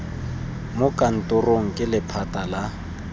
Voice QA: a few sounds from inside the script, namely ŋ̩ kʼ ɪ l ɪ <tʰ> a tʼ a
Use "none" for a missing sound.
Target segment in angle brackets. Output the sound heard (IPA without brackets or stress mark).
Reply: pʰ